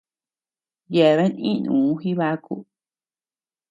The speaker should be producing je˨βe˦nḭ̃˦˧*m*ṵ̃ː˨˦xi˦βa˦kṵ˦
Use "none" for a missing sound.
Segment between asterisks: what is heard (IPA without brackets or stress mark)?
n